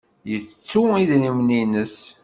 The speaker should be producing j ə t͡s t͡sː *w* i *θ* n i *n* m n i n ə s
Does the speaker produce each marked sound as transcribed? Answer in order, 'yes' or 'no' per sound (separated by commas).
no, no, no